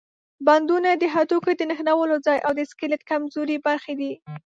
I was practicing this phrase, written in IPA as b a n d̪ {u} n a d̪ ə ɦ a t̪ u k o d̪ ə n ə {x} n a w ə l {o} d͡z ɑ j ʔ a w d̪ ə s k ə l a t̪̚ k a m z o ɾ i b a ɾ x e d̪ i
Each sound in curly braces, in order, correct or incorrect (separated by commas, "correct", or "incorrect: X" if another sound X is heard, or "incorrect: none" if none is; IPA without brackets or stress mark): correct, correct, correct